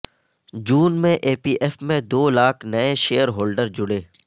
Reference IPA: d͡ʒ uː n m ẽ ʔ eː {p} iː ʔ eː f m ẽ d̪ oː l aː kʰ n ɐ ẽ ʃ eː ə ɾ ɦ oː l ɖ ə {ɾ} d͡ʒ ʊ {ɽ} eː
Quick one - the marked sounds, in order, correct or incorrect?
correct, correct, correct

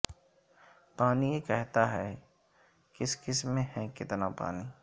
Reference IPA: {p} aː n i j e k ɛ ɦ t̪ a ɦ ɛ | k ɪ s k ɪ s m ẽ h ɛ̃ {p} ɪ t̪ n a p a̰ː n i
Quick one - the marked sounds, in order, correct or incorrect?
correct, incorrect: k

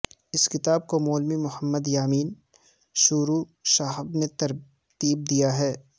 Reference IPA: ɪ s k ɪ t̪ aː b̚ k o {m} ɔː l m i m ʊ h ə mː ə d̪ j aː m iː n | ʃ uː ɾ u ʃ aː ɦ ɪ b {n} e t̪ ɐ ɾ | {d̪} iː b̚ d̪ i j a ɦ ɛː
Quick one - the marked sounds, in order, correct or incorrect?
correct, correct, incorrect: t̪

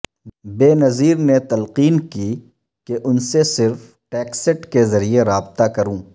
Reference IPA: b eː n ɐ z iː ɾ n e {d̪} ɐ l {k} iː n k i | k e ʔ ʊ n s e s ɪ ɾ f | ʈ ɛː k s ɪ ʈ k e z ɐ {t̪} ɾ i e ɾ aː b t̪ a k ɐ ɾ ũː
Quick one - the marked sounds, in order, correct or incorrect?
incorrect: t̪, incorrect: q, incorrect: none

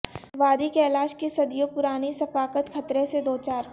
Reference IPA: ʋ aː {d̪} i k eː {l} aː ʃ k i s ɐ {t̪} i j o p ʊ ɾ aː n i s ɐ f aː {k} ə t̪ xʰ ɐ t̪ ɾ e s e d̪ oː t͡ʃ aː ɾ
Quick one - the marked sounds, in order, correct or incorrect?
correct, correct, incorrect: d̪, correct

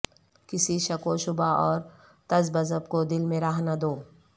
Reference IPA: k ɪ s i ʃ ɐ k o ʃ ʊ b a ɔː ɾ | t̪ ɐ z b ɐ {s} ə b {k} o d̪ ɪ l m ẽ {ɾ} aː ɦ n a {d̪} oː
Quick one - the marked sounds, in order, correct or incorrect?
incorrect: z, correct, correct, correct

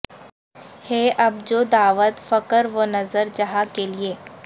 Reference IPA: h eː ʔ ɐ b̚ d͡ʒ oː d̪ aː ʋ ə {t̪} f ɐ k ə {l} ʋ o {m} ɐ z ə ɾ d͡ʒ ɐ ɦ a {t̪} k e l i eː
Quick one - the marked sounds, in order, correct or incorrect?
correct, incorrect: ɾ, incorrect: n, incorrect: none

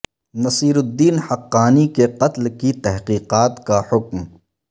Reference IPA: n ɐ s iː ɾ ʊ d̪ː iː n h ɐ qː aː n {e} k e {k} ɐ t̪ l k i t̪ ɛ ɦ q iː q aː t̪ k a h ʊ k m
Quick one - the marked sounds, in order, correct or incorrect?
incorrect: i, incorrect: q

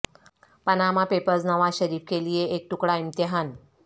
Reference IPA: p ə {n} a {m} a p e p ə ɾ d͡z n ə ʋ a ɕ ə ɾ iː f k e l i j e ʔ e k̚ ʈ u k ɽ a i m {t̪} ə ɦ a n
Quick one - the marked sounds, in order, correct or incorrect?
correct, correct, correct

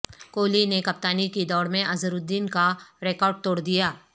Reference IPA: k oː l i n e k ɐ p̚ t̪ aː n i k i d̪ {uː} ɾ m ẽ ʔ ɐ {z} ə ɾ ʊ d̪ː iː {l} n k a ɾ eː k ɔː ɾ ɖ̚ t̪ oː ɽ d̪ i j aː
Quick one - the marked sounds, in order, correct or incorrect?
incorrect: ɔː, correct, incorrect: none

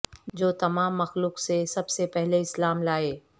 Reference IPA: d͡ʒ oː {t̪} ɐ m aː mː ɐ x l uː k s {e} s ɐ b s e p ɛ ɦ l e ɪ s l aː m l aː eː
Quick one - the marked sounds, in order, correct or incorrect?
correct, correct

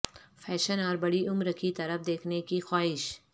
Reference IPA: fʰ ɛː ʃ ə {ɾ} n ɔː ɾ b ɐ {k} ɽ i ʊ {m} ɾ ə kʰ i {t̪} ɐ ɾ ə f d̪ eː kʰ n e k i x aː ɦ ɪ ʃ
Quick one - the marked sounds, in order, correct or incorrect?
incorrect: none, incorrect: none, correct, correct

